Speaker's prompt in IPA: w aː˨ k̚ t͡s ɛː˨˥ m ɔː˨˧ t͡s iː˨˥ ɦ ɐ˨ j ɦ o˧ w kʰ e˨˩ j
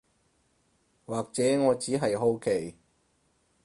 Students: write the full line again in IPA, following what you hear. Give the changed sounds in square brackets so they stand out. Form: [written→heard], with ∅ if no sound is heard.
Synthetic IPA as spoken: w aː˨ k̚ t͡s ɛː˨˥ [m→ŋ] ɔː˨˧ t͡s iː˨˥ ɦ ɐ˨ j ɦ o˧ w kʰ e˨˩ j